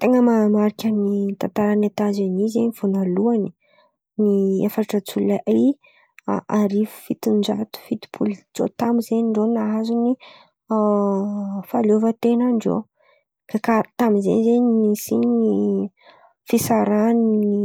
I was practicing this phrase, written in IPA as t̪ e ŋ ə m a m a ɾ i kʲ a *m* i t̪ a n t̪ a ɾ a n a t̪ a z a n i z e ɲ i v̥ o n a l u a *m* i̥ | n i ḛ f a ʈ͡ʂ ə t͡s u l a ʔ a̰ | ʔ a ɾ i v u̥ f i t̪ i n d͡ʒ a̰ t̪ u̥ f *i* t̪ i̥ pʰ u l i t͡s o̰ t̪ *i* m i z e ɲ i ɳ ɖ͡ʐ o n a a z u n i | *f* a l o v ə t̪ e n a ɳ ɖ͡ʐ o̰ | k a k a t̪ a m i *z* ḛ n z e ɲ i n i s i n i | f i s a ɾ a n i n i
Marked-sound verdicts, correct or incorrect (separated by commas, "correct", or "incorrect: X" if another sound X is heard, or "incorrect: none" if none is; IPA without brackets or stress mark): incorrect: n, incorrect: n, correct, incorrect: a, correct, correct